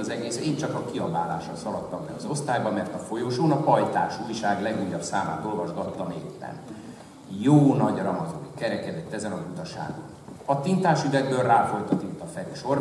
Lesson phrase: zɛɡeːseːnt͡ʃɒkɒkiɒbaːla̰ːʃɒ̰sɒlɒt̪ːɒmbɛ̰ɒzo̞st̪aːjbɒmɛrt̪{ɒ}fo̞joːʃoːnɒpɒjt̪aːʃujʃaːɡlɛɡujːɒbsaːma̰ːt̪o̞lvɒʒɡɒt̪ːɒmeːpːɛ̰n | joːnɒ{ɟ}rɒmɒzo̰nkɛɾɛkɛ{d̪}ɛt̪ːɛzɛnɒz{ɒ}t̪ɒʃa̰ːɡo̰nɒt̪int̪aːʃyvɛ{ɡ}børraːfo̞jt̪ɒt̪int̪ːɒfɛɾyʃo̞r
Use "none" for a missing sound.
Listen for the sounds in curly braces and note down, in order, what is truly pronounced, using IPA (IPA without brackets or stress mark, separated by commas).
ɒ, ɟ, d̪, u, ɡ